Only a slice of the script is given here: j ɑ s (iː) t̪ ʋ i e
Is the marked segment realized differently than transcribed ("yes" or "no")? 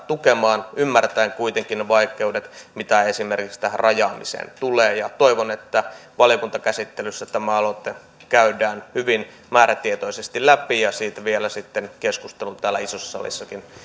no